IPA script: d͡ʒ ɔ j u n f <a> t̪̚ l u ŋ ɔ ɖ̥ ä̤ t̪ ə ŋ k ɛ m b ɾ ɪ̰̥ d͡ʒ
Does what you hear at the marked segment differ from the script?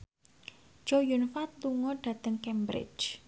no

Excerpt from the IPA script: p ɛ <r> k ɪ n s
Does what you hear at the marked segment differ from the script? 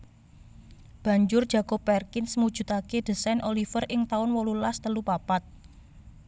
no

